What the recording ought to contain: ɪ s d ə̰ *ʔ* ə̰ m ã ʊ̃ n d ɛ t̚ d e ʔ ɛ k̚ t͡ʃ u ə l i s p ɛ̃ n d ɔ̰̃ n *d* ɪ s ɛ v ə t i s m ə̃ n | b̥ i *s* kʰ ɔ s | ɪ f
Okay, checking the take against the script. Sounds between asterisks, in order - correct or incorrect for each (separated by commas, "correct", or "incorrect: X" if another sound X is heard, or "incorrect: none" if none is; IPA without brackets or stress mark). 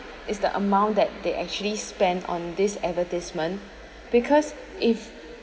correct, correct, incorrect: none